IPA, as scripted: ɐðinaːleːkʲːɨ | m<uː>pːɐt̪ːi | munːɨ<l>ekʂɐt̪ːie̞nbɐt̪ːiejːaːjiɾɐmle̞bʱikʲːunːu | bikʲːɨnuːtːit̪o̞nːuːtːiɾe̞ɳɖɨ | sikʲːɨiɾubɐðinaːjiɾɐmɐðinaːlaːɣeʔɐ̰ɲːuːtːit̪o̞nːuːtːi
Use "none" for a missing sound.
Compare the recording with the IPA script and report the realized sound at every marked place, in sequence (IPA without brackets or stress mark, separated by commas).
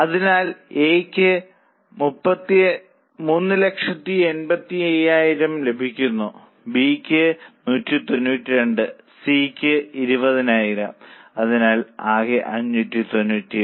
u, l